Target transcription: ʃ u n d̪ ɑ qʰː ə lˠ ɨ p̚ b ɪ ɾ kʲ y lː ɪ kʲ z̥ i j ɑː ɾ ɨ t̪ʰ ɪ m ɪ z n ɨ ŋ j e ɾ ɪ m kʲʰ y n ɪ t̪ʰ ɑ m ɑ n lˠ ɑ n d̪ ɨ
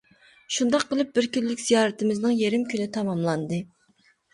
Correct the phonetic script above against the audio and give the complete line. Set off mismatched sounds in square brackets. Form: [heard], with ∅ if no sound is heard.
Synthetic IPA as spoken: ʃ u n d̪ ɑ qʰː ə lˠ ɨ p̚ b ɪ ɾ kʲ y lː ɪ kʲ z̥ i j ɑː ɾ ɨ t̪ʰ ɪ m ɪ z n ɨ ŋ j e ɾ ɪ m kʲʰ y n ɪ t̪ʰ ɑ m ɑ [m] lˠ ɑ n d̪ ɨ